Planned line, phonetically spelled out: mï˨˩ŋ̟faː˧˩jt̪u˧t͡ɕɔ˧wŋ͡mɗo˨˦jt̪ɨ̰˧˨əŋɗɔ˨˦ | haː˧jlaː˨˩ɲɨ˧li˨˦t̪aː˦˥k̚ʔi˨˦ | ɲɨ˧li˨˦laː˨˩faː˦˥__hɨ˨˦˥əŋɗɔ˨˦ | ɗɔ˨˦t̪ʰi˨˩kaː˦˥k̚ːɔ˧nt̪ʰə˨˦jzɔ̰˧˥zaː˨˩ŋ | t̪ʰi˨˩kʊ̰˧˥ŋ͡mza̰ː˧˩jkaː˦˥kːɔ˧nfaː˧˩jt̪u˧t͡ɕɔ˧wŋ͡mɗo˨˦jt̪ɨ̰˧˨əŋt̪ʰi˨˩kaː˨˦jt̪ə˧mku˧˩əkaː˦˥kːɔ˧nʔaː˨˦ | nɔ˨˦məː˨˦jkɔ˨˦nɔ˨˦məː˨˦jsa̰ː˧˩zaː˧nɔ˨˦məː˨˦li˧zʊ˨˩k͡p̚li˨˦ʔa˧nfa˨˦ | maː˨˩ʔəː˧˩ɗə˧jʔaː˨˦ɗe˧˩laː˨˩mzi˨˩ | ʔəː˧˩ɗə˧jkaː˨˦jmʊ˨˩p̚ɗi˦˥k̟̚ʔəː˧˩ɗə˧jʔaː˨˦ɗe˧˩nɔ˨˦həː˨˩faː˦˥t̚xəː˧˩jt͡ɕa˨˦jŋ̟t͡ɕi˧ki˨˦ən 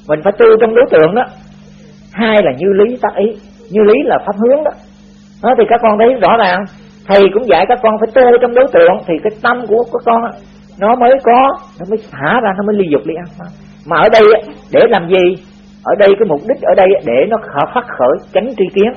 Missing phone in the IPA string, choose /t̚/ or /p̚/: p̚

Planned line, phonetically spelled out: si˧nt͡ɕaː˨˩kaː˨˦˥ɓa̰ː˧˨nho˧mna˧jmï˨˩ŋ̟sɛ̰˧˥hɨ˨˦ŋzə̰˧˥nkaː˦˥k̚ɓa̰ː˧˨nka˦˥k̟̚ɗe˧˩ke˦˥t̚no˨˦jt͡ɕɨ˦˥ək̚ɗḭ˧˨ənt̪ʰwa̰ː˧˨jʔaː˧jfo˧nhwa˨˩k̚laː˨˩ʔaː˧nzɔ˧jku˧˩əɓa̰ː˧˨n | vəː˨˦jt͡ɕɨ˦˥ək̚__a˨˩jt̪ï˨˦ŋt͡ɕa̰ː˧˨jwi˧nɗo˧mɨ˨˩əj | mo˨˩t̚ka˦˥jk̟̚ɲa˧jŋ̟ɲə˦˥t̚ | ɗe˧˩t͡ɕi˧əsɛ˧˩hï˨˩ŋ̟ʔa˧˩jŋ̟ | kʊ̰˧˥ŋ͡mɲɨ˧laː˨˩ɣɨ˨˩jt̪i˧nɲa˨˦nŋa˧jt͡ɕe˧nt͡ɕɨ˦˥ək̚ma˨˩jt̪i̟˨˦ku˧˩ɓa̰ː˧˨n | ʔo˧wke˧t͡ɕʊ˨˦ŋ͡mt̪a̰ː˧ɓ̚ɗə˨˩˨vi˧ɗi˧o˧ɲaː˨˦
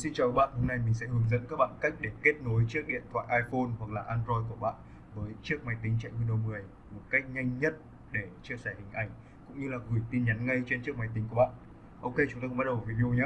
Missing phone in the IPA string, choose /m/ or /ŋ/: m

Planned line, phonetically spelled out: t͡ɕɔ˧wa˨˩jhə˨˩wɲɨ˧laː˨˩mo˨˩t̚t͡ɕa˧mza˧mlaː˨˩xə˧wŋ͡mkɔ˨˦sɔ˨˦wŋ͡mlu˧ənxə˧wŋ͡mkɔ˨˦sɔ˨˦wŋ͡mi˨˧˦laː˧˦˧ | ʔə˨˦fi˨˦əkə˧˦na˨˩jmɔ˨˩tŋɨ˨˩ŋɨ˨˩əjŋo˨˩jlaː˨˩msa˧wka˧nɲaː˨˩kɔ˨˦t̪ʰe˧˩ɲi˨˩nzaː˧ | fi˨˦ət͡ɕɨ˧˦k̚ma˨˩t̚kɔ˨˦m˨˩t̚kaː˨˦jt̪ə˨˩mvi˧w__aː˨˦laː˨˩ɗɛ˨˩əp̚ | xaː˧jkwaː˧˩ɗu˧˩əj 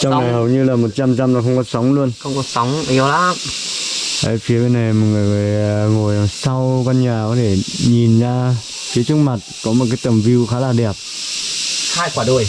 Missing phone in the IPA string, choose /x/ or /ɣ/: x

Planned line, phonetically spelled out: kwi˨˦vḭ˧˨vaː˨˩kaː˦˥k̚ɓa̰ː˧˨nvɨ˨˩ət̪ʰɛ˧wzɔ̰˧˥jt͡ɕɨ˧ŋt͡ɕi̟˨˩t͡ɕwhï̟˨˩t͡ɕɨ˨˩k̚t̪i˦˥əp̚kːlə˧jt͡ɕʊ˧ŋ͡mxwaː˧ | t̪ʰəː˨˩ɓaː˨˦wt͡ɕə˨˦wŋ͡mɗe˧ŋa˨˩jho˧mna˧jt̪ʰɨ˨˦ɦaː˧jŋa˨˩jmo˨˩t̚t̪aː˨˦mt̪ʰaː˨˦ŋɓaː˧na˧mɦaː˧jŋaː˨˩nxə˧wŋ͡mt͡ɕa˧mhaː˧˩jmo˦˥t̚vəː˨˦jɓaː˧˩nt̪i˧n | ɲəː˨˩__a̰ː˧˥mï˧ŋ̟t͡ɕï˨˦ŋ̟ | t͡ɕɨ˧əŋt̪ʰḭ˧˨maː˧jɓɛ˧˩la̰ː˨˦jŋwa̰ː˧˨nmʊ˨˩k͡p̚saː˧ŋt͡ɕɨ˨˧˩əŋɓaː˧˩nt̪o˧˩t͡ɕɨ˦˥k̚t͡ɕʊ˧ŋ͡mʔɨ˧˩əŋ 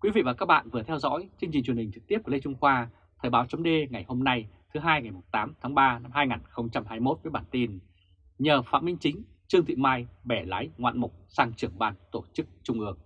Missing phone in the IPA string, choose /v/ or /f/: f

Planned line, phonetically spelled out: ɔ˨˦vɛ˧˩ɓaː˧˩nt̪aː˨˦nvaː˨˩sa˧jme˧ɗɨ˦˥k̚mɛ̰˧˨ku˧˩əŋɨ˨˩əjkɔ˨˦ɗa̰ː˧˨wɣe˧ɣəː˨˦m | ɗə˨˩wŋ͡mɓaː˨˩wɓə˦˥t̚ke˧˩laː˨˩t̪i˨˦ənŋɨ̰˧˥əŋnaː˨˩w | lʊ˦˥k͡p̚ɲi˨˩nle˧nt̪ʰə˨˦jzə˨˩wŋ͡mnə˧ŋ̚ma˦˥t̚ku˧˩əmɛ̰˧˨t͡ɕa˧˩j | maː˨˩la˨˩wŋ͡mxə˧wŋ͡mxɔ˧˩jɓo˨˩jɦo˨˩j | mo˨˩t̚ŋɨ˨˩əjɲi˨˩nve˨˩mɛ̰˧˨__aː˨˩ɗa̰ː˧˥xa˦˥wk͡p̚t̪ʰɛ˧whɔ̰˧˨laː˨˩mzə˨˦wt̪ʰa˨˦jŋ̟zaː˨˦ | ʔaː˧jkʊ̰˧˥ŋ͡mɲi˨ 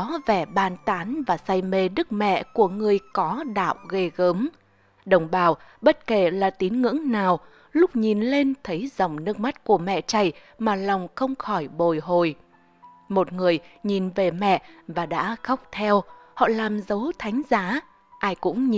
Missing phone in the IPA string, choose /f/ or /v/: v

